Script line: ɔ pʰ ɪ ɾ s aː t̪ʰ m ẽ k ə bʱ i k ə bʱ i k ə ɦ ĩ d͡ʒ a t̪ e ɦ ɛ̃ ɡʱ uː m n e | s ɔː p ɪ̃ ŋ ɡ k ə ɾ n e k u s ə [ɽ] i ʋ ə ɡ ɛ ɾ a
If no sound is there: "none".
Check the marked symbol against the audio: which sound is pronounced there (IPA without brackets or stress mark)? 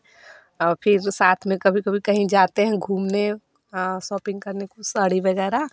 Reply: ɽ